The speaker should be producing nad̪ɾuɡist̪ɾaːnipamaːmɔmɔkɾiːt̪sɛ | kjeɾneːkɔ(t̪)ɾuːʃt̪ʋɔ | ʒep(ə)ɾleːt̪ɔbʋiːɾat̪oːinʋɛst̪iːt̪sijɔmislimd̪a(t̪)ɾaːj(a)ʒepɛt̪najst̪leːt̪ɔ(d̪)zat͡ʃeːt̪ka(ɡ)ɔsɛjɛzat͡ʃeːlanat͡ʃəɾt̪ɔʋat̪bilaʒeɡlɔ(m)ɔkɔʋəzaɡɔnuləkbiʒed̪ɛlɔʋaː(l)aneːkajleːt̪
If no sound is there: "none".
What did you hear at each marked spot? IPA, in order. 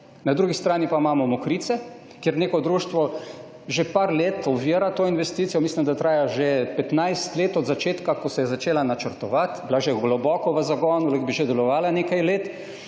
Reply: d̪, a, t̪, a, d̪, k, b, l

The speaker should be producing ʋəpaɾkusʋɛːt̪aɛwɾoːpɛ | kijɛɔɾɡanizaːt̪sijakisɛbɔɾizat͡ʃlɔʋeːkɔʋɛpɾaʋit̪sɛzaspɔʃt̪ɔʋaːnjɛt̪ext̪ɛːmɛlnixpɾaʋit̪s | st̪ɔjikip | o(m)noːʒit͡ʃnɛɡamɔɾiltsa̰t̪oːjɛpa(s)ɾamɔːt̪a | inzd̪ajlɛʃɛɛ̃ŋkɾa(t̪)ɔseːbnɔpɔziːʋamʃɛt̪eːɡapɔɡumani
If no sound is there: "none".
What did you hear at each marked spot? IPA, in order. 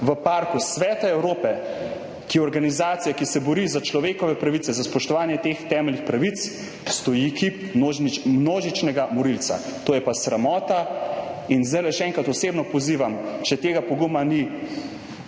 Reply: m, s, t̪

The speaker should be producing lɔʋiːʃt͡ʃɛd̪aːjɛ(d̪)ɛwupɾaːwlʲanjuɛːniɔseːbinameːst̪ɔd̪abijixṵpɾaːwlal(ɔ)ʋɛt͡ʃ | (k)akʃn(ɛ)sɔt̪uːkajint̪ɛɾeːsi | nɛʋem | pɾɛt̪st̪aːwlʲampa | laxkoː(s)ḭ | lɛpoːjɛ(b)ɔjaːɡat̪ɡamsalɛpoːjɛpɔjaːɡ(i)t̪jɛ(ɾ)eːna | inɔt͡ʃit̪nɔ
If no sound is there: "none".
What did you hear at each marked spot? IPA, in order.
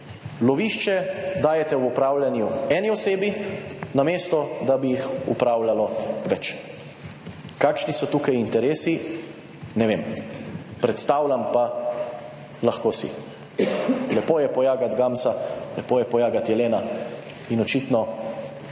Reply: t̪, ɔ, k, i, s, p, a, l

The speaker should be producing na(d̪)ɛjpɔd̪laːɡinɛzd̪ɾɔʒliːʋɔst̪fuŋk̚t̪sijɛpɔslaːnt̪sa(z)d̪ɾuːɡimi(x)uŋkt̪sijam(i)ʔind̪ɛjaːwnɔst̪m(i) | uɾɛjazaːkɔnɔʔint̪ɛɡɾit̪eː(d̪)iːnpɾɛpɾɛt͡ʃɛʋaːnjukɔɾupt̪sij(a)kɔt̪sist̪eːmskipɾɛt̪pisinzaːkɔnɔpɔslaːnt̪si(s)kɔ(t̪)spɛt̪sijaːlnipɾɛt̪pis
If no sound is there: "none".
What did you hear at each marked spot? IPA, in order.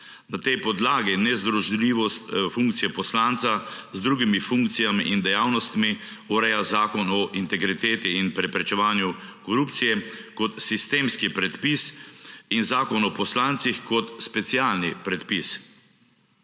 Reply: t̪, z, f, i, i, t̪, ɛ, x, t̪

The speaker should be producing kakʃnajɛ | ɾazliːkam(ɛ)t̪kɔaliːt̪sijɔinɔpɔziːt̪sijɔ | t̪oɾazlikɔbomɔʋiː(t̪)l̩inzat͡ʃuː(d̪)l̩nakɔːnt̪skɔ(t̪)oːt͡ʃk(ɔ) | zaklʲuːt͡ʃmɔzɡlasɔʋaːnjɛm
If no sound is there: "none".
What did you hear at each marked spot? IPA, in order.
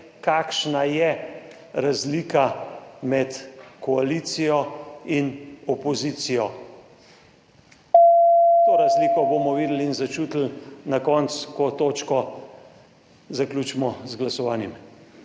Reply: ɛ, d̪, t̪, t̪, ɔ

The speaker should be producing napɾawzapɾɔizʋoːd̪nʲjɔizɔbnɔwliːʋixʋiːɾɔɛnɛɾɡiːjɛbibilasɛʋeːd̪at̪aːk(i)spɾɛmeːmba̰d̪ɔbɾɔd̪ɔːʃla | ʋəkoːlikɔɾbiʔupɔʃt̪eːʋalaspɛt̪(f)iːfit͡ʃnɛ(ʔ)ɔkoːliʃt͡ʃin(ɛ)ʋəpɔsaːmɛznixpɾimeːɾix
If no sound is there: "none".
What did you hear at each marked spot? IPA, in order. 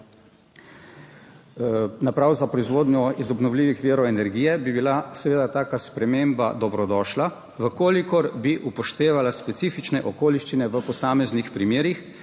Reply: a, s, ʔ, ɛ

